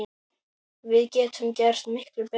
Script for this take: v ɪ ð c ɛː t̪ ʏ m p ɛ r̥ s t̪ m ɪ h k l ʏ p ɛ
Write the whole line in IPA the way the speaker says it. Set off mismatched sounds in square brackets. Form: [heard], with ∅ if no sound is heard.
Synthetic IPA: v ɪ ð c ɛː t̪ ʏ m [c] ɛ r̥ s t̪ m ɪ h k l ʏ p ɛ